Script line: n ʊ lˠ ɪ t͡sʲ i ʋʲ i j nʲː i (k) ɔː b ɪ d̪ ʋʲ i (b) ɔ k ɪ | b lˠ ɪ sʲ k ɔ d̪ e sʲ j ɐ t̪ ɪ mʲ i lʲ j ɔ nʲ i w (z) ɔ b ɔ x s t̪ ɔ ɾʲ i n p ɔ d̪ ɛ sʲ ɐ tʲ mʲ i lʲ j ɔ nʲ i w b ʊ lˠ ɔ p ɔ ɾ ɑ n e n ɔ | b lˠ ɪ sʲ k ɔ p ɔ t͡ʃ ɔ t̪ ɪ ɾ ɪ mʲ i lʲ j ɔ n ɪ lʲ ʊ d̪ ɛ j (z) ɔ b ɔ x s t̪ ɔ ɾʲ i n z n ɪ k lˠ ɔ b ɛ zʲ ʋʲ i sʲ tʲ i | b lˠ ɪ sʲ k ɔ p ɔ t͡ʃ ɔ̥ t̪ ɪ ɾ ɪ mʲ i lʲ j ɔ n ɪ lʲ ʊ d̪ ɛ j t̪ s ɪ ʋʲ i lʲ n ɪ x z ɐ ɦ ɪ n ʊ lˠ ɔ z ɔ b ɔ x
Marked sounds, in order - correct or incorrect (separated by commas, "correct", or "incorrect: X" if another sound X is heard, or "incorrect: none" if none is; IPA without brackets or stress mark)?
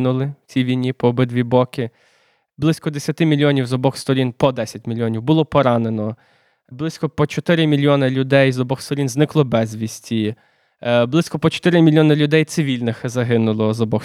incorrect: p, correct, correct, correct